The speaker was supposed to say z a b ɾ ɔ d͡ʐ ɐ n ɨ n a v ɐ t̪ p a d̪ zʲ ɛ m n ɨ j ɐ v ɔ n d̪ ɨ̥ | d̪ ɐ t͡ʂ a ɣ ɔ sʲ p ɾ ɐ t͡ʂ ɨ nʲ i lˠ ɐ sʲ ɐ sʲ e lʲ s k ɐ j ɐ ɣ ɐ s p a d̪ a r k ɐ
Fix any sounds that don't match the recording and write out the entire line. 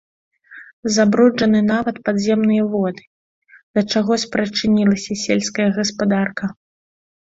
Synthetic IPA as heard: z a b ɾ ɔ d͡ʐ ɐ n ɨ n a v ɐ t̪ p a d̪ zʲ ɛ m n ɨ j ɐ v ɔ d̪ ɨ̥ | d̪ ɐ t͡ʂ a ɣ ɔ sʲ p ɾ ɐ t͡ʂ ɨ nʲ i lˠ ɐ sʲ ɐ sʲ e lʲ s k ɐ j ɐ ɣ ɐ s p a d̪ a r k ɐ